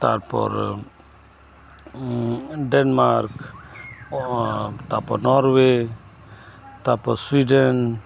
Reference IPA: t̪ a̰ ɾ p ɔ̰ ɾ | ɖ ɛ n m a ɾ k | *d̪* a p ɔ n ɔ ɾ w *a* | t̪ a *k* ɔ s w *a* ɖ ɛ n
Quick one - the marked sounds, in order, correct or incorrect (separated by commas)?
incorrect, incorrect, incorrect, incorrect